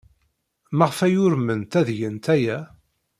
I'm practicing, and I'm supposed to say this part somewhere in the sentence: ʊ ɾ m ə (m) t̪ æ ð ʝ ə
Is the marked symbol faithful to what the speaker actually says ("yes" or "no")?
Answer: no